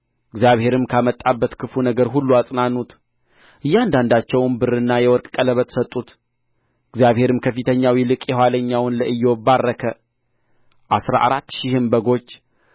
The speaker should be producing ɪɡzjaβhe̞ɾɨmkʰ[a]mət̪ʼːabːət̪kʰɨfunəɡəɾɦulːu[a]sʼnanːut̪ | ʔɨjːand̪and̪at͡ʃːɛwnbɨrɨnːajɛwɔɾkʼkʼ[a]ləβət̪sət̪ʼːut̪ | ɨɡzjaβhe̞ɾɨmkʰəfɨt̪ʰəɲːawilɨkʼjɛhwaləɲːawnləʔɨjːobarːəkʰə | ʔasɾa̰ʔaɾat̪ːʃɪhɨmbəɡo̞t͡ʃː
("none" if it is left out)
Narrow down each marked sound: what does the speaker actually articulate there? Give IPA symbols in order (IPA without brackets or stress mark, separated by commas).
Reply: a, a, ə